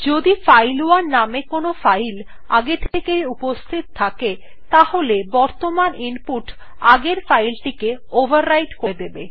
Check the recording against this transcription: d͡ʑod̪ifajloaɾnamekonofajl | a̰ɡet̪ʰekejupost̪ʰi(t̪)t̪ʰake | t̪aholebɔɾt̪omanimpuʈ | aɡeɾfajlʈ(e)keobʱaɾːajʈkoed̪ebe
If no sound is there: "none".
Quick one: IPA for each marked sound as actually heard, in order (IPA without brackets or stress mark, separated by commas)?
t̪, i